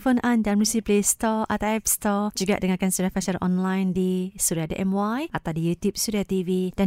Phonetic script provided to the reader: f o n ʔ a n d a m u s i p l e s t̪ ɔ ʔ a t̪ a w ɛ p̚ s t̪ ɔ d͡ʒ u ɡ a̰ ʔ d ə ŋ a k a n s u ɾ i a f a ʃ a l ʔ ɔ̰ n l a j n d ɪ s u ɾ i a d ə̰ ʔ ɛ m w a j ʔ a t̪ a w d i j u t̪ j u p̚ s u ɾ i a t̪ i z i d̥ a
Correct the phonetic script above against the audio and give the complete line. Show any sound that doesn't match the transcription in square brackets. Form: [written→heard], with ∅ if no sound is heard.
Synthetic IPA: f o n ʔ a n d a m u s i p l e s t̪ ɔ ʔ a t̪ a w ɛ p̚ s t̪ ɔ d͡ʒ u ɡ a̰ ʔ d ə ŋ a k a n s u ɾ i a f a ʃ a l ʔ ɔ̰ n l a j n d [ɪ→i] s u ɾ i a d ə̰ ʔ ɛ m w a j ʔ a t̪ a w d i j u t̪ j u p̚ s u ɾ i a t̪ i [z→v] i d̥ a